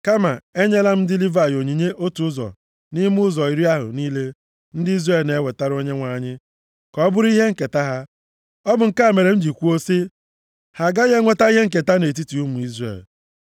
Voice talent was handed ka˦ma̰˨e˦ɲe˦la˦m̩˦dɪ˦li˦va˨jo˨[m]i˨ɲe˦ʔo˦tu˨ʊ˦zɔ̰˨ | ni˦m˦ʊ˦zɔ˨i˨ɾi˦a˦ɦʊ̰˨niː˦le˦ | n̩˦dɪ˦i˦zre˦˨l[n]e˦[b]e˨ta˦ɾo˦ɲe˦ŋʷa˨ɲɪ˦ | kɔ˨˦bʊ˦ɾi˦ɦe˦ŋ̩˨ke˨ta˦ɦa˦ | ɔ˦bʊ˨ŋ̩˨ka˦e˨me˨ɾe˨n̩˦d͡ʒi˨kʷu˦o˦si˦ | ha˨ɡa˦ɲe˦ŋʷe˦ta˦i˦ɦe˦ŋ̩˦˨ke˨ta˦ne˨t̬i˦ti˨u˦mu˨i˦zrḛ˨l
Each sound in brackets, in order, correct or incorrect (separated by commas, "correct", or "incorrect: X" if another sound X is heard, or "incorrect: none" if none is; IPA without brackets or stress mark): incorrect: ɲ, correct, incorrect: w